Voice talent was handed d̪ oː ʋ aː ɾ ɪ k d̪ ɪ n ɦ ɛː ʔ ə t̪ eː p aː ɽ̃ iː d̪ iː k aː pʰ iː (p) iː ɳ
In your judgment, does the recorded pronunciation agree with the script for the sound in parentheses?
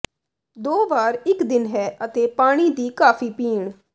yes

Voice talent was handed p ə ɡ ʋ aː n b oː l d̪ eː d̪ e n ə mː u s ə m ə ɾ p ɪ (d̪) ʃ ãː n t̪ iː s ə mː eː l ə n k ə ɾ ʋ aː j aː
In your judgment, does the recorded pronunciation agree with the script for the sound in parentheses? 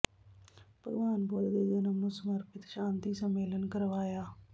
no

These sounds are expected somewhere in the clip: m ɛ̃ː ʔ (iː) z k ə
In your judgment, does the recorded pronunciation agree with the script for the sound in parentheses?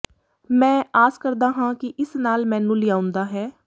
no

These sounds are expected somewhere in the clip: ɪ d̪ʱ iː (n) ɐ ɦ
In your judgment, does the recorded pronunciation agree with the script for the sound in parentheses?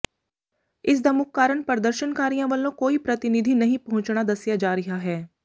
yes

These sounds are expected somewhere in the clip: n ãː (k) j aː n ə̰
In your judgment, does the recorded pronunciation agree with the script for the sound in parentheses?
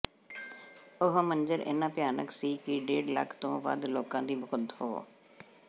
no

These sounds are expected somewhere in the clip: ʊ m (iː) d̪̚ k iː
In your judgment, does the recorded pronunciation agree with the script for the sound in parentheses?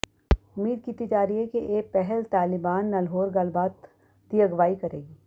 yes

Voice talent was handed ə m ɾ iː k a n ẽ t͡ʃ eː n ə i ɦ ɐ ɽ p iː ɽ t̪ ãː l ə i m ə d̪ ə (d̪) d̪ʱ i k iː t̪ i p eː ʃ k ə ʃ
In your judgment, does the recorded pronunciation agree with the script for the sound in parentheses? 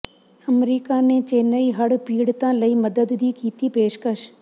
yes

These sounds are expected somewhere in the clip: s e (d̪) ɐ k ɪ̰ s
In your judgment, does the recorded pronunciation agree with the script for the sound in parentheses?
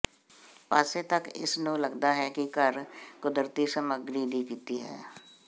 no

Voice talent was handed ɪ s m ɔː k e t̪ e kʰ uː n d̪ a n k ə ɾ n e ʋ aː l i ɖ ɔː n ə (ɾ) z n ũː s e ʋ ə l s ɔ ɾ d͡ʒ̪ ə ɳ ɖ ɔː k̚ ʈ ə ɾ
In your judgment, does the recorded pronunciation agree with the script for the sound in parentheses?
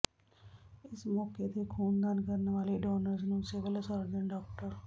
yes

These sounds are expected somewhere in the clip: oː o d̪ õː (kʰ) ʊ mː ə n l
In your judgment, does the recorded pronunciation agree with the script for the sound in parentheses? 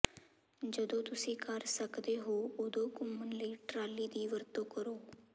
no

